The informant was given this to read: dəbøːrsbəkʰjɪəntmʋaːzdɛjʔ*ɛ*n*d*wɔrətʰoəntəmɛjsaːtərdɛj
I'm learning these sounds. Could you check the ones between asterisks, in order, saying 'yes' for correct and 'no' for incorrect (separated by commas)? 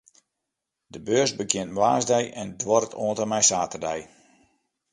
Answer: yes, yes